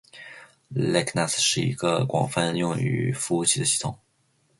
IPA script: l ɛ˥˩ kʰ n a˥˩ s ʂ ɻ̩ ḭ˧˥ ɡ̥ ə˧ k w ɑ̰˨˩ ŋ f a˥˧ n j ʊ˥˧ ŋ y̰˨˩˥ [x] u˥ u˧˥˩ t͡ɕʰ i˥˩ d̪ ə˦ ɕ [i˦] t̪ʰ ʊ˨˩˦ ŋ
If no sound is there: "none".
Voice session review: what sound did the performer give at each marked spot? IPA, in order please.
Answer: f, i˥˩

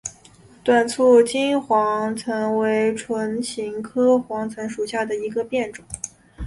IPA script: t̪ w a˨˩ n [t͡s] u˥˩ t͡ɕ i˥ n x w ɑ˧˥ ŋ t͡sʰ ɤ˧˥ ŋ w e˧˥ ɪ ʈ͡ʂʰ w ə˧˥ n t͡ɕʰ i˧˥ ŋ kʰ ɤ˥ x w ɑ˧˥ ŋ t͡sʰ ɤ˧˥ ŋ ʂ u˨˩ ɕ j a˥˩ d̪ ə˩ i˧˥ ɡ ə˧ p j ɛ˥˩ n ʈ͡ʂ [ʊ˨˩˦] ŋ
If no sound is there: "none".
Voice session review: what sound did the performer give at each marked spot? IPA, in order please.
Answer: t͡sʰ, ʊ˨˩˦

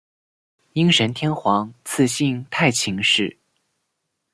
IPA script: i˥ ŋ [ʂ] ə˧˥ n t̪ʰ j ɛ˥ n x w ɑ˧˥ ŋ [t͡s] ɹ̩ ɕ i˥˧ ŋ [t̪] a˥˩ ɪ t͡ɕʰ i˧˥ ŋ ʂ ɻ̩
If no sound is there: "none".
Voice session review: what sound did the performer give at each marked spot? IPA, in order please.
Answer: ʂ, t͡sʰ, t̪ʰ

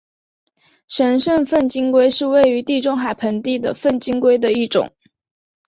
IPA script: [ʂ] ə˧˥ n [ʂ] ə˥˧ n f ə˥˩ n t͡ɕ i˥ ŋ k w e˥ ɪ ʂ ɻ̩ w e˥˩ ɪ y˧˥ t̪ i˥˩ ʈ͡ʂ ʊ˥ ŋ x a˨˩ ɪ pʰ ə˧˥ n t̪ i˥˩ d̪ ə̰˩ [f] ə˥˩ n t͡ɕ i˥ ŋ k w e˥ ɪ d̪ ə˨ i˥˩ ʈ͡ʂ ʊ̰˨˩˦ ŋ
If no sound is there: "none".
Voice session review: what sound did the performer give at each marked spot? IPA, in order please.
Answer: ʂ, ʂ, f

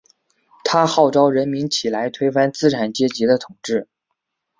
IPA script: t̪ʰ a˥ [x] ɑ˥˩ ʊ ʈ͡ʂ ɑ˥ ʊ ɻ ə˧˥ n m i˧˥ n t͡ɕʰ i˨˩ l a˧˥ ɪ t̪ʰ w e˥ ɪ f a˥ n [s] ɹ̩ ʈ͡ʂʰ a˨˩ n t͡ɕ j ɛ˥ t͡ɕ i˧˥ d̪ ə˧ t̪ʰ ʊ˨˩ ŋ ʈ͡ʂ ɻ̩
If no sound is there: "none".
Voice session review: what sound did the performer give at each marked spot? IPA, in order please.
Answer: x, t͡s

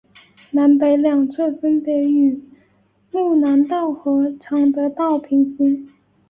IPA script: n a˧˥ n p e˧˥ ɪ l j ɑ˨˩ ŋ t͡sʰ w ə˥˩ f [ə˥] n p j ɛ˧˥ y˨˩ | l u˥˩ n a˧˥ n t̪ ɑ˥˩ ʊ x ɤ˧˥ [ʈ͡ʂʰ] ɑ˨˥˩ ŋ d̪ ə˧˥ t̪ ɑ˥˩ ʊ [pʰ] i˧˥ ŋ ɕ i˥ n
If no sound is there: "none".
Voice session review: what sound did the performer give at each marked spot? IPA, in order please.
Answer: ə˥, ʈ͡ʂʰ, pʰ

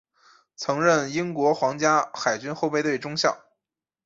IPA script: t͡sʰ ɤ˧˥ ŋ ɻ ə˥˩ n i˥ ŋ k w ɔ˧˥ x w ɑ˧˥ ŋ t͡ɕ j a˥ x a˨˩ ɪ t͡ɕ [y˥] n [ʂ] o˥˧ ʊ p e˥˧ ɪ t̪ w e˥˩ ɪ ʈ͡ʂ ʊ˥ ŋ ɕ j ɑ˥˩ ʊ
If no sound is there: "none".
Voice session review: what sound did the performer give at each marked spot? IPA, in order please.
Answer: y˥, x

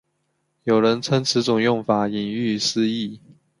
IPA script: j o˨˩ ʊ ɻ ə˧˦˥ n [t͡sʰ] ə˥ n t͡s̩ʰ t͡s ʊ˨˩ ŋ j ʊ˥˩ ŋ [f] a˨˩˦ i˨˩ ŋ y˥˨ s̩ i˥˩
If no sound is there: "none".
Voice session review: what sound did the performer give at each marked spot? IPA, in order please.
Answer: t͡sʰ, f

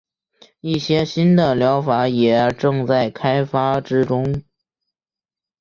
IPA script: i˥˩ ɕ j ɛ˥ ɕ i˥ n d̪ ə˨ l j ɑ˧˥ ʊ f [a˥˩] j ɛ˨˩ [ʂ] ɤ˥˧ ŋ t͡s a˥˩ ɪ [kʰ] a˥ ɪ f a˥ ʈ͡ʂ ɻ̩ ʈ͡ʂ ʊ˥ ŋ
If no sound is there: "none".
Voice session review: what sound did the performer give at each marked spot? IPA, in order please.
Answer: a˧˥, ʈ͡ʂ, kʰ

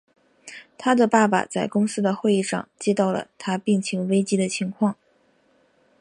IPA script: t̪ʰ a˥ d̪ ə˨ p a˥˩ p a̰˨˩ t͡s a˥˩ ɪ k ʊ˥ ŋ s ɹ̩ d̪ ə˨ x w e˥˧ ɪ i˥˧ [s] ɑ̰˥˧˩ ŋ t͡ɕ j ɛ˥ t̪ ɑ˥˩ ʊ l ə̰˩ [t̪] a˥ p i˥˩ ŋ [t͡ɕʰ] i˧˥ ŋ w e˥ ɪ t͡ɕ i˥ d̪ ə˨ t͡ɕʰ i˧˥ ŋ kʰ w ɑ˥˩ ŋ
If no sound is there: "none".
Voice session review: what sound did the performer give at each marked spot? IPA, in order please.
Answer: ʂ, t̪ʰ, t͡ɕʰ

